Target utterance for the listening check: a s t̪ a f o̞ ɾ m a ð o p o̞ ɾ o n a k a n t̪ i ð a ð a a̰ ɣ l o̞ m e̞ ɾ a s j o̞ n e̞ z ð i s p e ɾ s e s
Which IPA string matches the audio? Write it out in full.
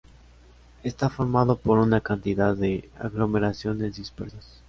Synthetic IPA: e s t̪ a f o̞ ɾ m a ð o p o̞ ɾ u n a k a n t̪ i ð a ð e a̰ ɣ l o̞ m e̞ ɾ a s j o̞ n e̞ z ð i s p e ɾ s a s